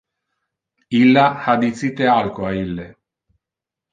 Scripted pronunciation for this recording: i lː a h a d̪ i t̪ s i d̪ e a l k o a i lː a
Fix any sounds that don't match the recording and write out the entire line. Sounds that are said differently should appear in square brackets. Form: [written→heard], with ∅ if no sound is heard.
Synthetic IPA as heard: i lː a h a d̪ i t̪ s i [d̪→t̪] e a l k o a i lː [a→e]